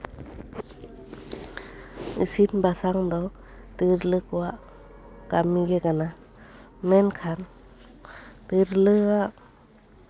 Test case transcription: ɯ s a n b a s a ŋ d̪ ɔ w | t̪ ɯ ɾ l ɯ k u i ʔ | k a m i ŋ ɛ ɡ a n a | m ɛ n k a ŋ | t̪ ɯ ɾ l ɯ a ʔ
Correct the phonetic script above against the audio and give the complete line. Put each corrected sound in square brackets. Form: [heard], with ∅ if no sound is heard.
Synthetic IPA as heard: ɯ s [i] n b a s a ŋ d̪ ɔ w | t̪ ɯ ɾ l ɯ k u [a] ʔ | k a m i [ɡ] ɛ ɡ a n a | m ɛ n [kʰ] a [n] | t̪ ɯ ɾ l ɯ a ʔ

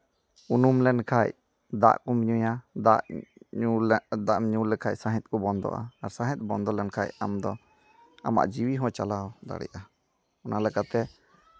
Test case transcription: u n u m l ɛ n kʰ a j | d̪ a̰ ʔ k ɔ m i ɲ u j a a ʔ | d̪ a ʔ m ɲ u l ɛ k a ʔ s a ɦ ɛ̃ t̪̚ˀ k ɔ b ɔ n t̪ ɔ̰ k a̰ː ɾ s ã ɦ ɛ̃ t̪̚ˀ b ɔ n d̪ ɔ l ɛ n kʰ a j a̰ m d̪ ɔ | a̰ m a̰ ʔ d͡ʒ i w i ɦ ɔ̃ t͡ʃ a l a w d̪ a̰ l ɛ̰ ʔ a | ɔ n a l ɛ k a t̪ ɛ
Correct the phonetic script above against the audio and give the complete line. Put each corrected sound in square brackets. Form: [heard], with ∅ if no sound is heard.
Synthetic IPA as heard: u n u m l ɛ n kʰ a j | d̪ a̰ ʔ k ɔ m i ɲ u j a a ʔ | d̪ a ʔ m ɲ u l ɛ [kʰ] a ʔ s a ɦ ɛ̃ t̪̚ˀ k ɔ b ɔ n [d̪] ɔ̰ [ʔ] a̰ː ɾ s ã ɦ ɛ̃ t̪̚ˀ b ɔ n d̪ ɔ l ɛ n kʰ a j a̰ m d̪ ɔ | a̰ m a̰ ʔ d͡ʒ i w i ɦ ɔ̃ t͡ʃ a l a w d̪ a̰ [ɽ] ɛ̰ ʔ a | ɔ n a l ɛ k a t̪ ɛ

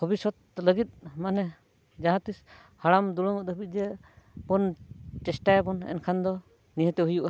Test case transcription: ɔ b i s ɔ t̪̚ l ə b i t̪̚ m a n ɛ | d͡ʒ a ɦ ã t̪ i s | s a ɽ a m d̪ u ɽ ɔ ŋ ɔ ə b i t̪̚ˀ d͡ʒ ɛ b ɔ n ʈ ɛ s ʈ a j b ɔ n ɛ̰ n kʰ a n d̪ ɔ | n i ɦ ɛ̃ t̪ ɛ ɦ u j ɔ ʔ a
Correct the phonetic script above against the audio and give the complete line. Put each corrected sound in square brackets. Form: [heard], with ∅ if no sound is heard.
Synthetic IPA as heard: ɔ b i s ɔ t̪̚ l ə [ɡ] i t̪̚ m a n ɛ | d͡ʒ a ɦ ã t̪ i s | [h] a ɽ a m d̪ u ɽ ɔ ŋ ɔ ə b i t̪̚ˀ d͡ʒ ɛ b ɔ n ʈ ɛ s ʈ a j b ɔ n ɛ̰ n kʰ a n d̪ ɔ | n i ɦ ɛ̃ t̪ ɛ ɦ u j [u] ʔ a

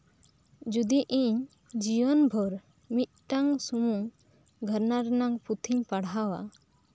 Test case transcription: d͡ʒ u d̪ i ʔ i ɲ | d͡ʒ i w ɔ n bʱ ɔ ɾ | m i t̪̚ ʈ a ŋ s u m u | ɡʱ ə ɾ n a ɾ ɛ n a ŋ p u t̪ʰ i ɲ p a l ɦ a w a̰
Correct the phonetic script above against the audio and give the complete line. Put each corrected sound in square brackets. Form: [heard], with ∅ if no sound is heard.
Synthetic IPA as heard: d͡ʒ u d̪ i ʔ i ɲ | d͡ʒ i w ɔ n bʱ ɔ ɾ | m i t̪̚ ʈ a ŋ s u m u | ɡʱ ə ɾ n a ɾ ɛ n a ŋ p u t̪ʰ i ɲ p a [ɽ] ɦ a w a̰

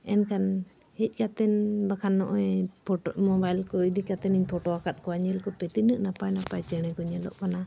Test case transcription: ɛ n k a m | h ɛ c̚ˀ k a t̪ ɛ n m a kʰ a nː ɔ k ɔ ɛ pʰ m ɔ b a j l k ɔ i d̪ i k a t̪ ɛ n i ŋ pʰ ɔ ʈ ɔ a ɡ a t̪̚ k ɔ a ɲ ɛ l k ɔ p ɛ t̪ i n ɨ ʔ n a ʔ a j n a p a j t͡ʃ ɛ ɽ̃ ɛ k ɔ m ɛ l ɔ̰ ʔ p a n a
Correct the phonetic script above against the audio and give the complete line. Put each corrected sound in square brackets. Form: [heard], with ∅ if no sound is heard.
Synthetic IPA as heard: ɛ n k a [n] | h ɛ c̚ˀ k a t̪ ɛ n [b] a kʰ a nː ɔ [ʔ] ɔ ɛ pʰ m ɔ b a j l k ɔ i d̪ i k a t̪ ɛ n i [ɲ] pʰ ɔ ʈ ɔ a [k] a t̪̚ k ɔ a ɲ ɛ l k ɔ p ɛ t̪ i n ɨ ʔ n a [p] a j n a p a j t͡ʃ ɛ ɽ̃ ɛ k ɔ [ɲ] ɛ l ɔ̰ ʔ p a n a

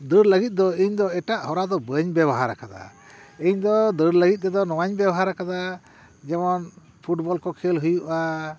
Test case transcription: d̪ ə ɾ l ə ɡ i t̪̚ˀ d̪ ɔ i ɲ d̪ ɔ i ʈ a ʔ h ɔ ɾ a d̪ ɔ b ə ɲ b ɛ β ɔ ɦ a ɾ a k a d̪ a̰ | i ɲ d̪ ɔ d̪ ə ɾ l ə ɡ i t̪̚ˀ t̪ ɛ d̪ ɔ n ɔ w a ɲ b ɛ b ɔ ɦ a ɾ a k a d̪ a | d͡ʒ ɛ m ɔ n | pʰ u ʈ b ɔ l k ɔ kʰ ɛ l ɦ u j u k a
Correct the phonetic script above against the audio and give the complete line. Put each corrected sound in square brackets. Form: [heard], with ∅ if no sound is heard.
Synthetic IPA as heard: d̪ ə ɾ l ə ɡ i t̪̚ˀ d̪ ɔ i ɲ d̪ ɔ [ɛ] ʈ a ʔ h ɔ ɾ a d̪ ɔ b ə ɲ b ɛ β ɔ ɦ a ɾ a k a d̪ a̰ | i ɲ d̪ ɔ d̪ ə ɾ l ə ɡ i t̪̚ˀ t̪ ɛ d̪ ɔ n ɔ w a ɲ b ɛ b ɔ ɦ a ɾ a k a d̪ a | d͡ʒ ɛ m ɔ n | pʰ u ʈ b ɔ l k ɔ kʰ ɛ l ɦ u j u [ʔ] a

